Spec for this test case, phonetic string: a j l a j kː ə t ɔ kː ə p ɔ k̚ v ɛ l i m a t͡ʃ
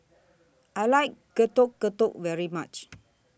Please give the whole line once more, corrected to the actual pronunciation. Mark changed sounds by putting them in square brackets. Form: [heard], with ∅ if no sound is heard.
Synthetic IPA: a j l a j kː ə t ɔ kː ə [t] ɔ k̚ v ɛ [ɹ] i m a t͡ʃ